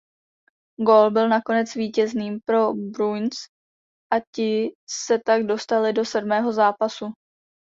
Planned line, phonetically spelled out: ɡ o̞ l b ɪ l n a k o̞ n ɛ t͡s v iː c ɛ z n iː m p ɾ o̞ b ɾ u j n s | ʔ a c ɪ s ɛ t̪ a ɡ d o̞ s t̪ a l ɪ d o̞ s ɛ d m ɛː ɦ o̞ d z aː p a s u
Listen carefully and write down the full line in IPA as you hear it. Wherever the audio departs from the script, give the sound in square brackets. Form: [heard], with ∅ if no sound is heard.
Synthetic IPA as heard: ɡ o̞ l b ɪ l n a k o̞ n ɛ t͡s v iː c ɛ z n iː m p ɾ o̞ b ɾ u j n s | ʔ a c ɪ s ɛ t̪ a ɡ d o̞ s t̪ a l ɪ d o̞ s ɛ d m ɛː ɦ o̞ [∅] z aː p a s u